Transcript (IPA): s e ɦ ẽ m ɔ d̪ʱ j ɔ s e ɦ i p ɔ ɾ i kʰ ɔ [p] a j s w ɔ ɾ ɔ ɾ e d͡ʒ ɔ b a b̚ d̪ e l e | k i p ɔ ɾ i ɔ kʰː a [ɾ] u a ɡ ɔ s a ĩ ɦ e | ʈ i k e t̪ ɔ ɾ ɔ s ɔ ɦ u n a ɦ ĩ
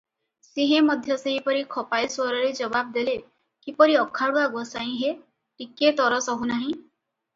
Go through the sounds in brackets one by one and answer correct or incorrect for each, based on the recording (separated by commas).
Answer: correct, incorrect